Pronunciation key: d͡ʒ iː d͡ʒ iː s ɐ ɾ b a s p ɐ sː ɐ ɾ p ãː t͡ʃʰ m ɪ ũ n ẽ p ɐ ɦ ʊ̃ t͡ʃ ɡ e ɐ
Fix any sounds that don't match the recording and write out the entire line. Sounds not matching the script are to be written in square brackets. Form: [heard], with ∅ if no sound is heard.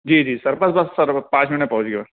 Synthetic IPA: d͡ʒ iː d͡ʒ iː s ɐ ɾ b [ɐ] s [b] ɐ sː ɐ ɾ p ãː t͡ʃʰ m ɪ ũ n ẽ p ɐ ɦ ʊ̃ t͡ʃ ɡ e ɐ